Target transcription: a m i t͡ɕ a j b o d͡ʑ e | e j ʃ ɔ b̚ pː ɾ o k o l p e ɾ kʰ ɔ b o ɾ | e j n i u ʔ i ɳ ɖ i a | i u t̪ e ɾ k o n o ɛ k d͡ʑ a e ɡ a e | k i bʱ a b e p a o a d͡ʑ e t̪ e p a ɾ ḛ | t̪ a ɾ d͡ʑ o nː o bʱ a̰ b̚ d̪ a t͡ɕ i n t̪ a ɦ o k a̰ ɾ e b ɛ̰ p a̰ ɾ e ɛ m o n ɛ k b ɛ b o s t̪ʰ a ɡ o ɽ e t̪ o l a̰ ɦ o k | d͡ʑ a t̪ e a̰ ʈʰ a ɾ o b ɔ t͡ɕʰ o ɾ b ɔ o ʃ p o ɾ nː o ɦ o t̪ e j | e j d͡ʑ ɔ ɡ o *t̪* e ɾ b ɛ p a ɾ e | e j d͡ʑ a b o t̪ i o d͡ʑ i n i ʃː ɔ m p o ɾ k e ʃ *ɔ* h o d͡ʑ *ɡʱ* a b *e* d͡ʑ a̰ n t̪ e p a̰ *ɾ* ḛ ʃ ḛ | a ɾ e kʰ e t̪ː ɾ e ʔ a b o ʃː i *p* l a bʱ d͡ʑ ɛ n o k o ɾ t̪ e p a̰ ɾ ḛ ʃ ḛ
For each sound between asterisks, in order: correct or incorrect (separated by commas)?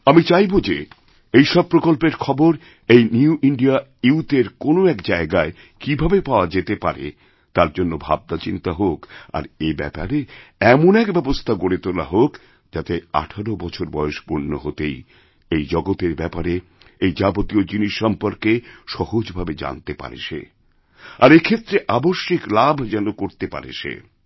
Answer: correct, correct, incorrect, correct, correct, incorrect